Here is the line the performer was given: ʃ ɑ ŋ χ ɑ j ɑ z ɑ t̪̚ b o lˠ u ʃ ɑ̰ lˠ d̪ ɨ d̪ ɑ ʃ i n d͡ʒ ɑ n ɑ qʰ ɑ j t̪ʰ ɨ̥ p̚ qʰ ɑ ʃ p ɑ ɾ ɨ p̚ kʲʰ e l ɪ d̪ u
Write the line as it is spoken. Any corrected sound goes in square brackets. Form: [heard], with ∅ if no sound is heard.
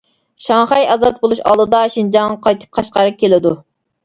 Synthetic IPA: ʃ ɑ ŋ χ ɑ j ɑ z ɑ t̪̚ b o lˠ u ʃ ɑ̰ lˠ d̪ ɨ d̪ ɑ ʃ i n d͡ʒ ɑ [ŋ] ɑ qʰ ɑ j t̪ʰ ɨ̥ p̚ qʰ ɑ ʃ [q] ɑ ɾ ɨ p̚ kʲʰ e l ɪ d̪ u